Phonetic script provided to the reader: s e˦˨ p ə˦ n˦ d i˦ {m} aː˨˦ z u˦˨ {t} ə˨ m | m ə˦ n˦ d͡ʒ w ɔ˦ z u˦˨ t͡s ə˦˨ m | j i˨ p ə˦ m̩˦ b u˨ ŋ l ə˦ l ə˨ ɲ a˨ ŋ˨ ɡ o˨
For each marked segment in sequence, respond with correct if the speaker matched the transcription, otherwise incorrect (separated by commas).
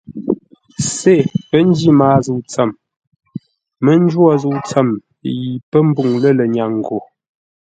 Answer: correct, incorrect